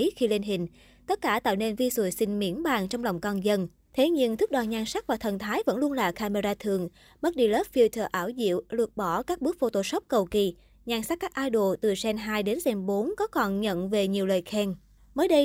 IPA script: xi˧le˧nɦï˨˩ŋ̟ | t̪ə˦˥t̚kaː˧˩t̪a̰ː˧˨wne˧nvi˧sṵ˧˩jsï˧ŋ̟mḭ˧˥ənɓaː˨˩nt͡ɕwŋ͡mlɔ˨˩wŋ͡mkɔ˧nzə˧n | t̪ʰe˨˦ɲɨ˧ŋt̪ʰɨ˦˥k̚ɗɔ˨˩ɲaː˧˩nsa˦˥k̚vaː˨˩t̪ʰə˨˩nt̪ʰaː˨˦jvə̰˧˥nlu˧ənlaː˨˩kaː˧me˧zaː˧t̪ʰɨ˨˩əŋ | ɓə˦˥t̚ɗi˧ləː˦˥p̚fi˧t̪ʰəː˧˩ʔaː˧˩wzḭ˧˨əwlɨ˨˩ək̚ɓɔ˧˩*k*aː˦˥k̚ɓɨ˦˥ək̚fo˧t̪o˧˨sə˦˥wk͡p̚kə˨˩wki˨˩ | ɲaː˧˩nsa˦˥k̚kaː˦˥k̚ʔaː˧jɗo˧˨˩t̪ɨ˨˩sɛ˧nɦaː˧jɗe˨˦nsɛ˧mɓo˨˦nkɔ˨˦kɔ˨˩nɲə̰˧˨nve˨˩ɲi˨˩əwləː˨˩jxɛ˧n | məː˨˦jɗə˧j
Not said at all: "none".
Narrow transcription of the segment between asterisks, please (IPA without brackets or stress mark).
k